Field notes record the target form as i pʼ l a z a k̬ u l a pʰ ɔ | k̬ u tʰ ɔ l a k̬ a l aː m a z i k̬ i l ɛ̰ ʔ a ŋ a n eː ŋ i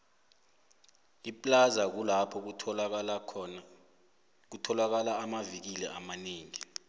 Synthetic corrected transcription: i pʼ l a z a k̬ u l a pʰ ɔ | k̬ u tʰ ɔ l a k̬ a l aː m a v i k̬ i l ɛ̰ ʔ a m a n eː ŋ i